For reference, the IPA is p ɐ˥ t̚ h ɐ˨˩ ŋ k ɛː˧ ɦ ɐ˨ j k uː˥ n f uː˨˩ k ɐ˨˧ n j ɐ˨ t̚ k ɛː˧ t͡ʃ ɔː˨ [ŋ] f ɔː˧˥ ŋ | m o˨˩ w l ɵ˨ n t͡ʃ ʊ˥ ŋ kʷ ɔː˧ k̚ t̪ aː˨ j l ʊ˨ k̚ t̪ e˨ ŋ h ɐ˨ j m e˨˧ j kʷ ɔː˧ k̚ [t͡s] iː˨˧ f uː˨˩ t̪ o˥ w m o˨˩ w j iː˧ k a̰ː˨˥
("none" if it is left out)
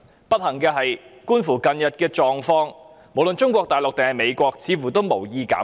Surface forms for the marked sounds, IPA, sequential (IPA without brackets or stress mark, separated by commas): ŋ, t͡sʰ